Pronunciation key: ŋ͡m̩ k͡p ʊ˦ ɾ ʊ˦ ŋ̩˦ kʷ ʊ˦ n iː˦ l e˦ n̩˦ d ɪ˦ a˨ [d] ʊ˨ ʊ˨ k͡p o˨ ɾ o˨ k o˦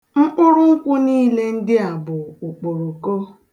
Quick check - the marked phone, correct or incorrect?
incorrect